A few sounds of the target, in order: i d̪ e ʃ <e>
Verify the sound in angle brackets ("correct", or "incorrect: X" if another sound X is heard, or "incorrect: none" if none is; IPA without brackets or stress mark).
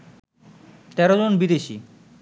incorrect: i